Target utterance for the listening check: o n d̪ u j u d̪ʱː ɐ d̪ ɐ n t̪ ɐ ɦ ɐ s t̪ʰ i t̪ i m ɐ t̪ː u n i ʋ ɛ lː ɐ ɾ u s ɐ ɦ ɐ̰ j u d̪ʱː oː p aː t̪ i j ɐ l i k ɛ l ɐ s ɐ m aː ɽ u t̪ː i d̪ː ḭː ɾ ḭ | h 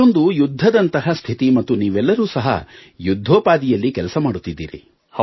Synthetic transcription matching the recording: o n d̪ u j u d̪ʱː ɐ d̪ ɐ n t̪ ɐ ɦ ɐ s t̪ʰ i t̪ i m ɐ t̪ː u n iː ʋ ɛ lː ɐ ɾ uː s ɐ ɦ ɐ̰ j u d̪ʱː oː p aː d̪ i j ɐ lː i k ɛ l ɐ s ɐ m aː ɽ u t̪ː i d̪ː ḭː ɾ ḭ | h